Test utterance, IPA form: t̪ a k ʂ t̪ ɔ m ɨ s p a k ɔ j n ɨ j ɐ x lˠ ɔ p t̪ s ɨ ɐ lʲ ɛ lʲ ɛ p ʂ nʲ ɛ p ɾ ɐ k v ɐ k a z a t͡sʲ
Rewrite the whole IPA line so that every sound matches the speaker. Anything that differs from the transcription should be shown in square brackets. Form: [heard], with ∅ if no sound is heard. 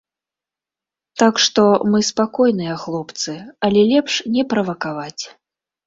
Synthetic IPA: t̪ a k ʂ t̪ ɔ m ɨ s p a k ɔ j n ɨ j ɐ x lˠ ɔ p t̪ s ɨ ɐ lʲ ɛ lʲ ɛ p ʂ nʲ ɛ p ɾ ɐ [∅] v ɐ k a [v] a t͡sʲ